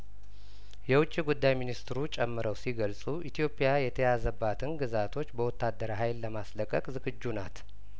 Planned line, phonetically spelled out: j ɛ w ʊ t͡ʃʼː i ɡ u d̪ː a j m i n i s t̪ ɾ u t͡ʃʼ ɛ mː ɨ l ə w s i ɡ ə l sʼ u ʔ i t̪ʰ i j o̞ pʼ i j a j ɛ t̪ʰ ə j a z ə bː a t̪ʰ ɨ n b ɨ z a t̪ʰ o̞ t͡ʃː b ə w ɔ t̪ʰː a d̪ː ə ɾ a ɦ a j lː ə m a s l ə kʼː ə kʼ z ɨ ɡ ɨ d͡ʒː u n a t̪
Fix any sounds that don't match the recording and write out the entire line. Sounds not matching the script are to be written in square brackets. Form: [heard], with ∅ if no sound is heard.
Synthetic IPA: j ɛ w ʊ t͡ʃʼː i ɡ u d̪ː a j m i n i s t̪ ɾ u t͡ʃʼ ɛ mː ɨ [ɾ] ə w s i ɡ ə l sʼ u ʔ i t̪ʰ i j o̞ pʼ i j a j ɛ t̪ʰ ə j a z ə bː a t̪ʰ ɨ n [ɡ] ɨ z a t̪ʰ o̞ t͡ʃː b ə w ɔ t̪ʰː a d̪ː ə ɾ a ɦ a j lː ə m a s l ə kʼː ə kʼ z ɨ ɡ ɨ d͡ʒː u n a t̪